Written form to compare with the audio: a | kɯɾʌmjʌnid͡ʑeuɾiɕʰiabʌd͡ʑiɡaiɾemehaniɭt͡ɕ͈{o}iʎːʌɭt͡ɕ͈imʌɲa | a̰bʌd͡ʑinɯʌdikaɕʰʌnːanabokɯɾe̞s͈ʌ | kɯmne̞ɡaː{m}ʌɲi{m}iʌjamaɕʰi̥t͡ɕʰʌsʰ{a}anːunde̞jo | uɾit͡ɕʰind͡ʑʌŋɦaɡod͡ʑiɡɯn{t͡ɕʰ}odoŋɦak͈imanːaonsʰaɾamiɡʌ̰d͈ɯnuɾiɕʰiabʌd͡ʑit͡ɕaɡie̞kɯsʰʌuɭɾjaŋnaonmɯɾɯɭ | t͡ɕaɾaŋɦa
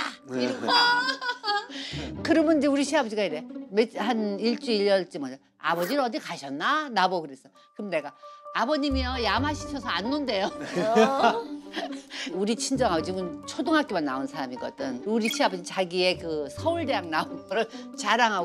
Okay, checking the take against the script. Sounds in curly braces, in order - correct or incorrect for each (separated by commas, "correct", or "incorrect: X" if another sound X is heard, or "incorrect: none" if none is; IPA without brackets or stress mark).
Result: incorrect: u, incorrect: b, correct, incorrect: ʌ, correct